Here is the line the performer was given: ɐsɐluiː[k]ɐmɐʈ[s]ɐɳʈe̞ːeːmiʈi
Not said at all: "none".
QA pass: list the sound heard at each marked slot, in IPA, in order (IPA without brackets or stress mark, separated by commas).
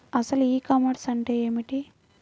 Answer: k, s